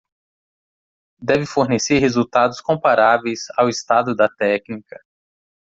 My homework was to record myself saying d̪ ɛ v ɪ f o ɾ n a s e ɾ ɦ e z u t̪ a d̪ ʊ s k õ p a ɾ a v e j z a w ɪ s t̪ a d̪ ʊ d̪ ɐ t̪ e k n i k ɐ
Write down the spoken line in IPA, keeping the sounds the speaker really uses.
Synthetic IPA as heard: d̪ ɛ v ɪ f o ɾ n e s e ɾ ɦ e z u t̪ a d̪ ʊ s k õ p a ɾ a v e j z a w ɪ s t̪ a d̪ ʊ d̪ ɐ t̪ ɛ k n i k ɐ